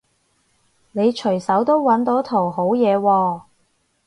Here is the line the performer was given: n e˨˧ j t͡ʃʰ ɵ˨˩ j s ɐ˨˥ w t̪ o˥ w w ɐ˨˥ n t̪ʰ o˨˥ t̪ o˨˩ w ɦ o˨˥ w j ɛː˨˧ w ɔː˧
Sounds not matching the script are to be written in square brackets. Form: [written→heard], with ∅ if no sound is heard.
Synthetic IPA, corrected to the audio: n e˨˧ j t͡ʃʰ ɵ˨˩ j s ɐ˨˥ w t̪ o˥ w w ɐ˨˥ n [t̪ʰ→t̪] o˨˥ [t̪→t̪ʰ] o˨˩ w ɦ o˨˥ w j ɛː˨˧ w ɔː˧